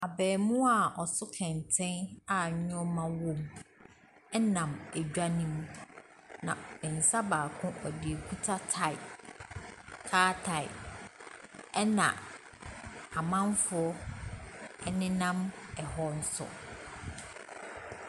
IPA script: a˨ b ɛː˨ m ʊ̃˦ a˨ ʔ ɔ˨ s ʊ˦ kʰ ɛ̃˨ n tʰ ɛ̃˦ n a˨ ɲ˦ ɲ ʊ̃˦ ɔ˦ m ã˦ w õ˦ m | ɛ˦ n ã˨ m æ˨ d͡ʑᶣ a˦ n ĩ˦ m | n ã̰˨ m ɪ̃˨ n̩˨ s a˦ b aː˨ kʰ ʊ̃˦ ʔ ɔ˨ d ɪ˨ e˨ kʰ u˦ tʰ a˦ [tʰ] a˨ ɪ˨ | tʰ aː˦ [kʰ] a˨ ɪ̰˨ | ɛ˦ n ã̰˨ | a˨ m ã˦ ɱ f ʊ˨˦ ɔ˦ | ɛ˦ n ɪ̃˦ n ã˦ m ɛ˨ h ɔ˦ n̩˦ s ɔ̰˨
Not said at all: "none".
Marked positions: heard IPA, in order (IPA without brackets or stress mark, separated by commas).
tʰ, tʰ